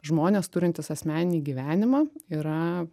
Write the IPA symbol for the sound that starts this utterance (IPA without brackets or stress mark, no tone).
ʒ